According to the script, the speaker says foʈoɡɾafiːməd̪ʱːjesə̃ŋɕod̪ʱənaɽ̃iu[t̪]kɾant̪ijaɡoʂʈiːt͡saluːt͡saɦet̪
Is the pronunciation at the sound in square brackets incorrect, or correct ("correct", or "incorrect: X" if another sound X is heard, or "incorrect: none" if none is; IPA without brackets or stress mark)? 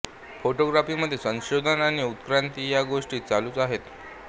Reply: correct